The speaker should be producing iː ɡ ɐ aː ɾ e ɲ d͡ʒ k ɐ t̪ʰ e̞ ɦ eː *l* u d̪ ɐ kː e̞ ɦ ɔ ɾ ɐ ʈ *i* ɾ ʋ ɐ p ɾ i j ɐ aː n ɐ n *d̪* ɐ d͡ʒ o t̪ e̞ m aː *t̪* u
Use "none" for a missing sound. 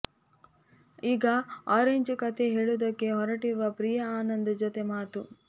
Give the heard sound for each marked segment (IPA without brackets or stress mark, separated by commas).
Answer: ɭ, i, d̪, t̪